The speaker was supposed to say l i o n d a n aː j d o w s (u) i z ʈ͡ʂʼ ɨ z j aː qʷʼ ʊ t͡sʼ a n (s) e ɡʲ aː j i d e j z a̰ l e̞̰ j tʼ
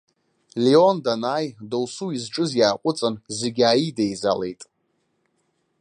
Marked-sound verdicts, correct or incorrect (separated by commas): correct, incorrect